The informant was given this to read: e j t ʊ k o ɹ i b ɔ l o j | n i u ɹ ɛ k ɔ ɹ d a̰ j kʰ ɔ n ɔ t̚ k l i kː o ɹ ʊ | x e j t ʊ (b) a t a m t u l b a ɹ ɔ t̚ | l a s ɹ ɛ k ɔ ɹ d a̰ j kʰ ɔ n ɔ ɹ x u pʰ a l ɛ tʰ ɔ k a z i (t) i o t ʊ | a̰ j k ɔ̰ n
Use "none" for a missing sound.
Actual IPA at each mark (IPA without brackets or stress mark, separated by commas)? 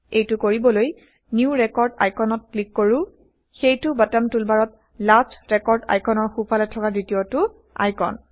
b, t